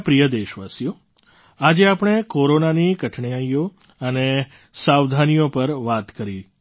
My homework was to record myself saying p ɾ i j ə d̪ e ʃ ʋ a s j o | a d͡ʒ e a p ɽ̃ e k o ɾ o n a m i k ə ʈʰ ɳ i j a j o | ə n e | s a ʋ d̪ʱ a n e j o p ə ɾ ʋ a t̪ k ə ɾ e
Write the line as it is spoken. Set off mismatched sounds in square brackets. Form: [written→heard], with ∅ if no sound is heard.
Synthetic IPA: p ɾ i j ə d̪ e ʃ ʋ a s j o | a d͡ʒ e a p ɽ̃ e k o ɾ o n a [m→n] i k ə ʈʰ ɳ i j a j o | ə n e | s a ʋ d̪ʱ a n [e→i] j o p ə ɾ ʋ a t̪ k ə ɾ [e→i]

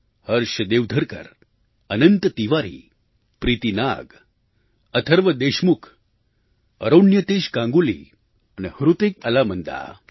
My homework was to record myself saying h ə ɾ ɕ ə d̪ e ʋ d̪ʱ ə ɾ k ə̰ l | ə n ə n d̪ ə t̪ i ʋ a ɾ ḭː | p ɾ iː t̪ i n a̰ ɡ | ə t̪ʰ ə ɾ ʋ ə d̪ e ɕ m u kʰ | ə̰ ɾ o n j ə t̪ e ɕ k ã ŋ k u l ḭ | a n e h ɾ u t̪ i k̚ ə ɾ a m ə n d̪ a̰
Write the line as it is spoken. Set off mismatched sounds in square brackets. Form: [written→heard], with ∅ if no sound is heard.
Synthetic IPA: h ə ɾ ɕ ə d̪ e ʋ d̪ʱ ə ɾ k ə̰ [l→ɾ] | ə n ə n [d̪→t̪] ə t̪ i ʋ a ɾ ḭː | p ɾ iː t̪ i n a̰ ɡ | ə t̪ʰ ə ɾ ʋ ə d̪ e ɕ m u kʰ | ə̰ ɾ o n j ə t̪ e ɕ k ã ŋ [k→ɡ] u l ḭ | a n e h ɾ u t̪ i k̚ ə [ɾ→l] a m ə n d̪ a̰

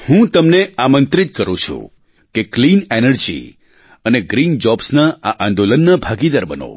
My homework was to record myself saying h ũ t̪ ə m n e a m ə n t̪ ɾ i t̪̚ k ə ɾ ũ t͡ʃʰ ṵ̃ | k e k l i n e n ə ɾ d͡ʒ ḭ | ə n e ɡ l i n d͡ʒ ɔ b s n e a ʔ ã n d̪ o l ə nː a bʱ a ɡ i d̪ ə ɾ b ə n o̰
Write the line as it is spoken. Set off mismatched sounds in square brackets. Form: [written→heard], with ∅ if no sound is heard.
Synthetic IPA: h ũ t̪ ə m n e a m ə n t̪ ɾ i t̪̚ k ə ɾ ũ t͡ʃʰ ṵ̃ | k e k l i n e n ə ɾ d͡ʒ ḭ | ə n e ɡ [l→ɾ] i n d͡ʒ ɔ b s n [e→a] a ʔ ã n d̪ o l ə nː a bʱ a ɡ i d̪ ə ɾ b ə n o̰

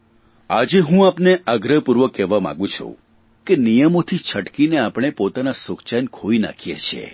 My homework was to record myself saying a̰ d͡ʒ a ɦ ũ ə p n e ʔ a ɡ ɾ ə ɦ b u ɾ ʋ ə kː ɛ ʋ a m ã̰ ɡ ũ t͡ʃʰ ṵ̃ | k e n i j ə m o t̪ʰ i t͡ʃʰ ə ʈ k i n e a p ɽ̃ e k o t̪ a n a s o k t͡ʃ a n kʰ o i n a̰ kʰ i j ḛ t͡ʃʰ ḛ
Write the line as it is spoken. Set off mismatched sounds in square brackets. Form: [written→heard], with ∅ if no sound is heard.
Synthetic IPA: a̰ d͡ʒ [a→e] ɦ ũ [ə→a] p n e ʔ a ɡ ɾ ə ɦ [b→p] u ɾ ʋ ə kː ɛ ʋ a m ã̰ ɡ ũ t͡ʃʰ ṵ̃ | k e n i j ə m o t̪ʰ i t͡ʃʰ ə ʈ k i n e a p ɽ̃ e [k→p] o t̪ a n a s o k t͡ʃ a n kʰ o i n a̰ kʰ i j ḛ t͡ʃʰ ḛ

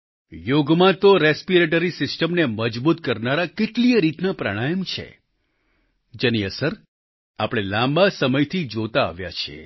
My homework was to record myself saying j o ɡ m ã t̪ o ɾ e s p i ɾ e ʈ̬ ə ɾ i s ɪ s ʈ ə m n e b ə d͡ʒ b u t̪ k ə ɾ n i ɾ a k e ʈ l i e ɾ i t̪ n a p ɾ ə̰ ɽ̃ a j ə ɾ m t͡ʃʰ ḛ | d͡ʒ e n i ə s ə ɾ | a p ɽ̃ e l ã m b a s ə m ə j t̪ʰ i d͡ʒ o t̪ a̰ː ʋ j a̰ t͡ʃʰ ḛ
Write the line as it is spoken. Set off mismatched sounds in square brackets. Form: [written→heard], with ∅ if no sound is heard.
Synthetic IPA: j o ɡ m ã t̪ o ɾ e s p i ɾ e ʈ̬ ə ɾ i s ɪ s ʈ ə m n e [b→m] ə d͡ʒ b u t̪ k ə ɾ n [i→a] ɾ a k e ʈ l i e ɾ i t̪ n a p ɾ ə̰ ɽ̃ a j ə [ɾ→∅] m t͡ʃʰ ḛ | d͡ʒ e n i ə s ə ɾ | a p ɽ̃ e l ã m b a s ə m ə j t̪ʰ i d͡ʒ o t̪ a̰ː ʋ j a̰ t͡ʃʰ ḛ

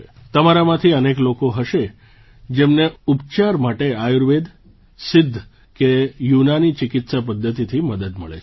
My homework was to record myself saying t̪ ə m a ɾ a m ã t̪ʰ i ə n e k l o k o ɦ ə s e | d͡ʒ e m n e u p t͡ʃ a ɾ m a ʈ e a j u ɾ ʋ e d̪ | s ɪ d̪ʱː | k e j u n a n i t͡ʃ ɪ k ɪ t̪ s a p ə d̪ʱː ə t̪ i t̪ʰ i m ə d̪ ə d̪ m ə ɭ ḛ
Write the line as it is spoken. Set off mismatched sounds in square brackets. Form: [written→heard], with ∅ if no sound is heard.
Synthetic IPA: t̪ ə m a ɾ a m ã t̪ʰ i ə n e k l o k o ɦ ə [s→ʃ] e | d͡ʒ e m n e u p t͡ʃ a ɾ m a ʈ e a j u ɾ ʋ e d̪ | s ɪ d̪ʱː | k e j u n a n i t͡ʃ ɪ k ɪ t̪ s a p ə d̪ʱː ə t̪ i t̪ʰ i m ə d̪ ə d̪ m ə ɭ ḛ

